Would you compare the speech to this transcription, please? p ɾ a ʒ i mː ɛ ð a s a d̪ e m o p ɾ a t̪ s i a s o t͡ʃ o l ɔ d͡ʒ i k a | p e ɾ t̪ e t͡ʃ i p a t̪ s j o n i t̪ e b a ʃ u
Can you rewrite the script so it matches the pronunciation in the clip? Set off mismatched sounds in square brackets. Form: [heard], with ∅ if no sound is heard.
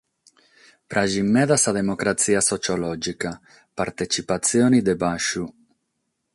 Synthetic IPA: p ɾ a ʒ i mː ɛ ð a s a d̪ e m o [k] ɾ a t̪ s i a s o t͡ʃ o l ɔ d͡ʒ i k a | p [a] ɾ t̪ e t͡ʃ i p a t̪ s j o n i [d̪] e b a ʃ u